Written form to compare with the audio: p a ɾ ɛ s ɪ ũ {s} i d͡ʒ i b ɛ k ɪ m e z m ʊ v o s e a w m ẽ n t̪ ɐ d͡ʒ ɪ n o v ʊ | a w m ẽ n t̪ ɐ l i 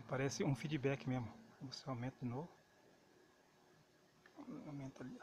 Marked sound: incorrect: f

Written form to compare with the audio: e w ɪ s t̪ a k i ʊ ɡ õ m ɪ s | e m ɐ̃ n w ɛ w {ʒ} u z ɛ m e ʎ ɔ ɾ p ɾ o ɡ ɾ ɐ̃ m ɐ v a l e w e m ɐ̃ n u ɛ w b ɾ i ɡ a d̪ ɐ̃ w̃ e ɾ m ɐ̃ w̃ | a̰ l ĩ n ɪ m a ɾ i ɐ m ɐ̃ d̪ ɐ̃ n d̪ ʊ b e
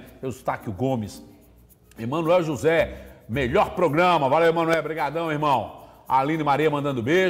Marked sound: correct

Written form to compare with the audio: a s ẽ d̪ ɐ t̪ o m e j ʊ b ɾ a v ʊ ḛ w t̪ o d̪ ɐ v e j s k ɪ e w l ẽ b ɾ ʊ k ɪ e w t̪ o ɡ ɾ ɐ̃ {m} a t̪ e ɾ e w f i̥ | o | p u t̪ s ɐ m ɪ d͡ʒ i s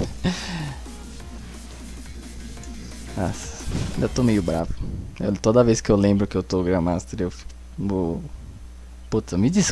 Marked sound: correct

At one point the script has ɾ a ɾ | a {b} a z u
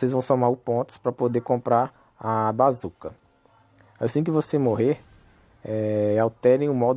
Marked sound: correct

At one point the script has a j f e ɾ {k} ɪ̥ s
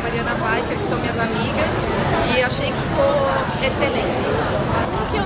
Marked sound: correct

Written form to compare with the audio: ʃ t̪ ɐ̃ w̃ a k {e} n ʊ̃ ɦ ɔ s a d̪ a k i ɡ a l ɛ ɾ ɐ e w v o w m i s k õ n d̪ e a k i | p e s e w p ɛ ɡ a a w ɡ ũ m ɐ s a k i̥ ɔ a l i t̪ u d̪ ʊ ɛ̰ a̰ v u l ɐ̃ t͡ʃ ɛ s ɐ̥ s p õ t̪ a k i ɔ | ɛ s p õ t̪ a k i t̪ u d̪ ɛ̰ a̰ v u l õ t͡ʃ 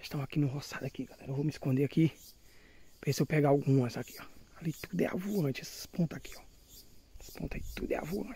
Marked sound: incorrect: i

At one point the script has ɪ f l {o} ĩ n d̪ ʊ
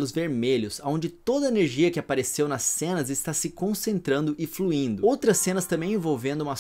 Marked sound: incorrect: u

